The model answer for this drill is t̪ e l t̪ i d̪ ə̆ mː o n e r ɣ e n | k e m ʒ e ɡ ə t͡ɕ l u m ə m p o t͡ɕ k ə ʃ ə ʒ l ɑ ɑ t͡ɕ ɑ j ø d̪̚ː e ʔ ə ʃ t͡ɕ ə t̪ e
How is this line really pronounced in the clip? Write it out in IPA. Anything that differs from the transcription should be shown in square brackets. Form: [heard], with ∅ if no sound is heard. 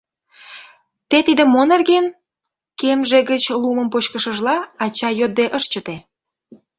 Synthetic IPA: t̪ e [∅] t̪ i d̪ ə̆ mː o n e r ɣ e n | k e m ʒ e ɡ ə t͡ɕ l u m ə m p o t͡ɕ k ə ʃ ə ʒ l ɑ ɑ t͡ɕ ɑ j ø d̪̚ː e ʔ ə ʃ t͡ɕ ə t̪ e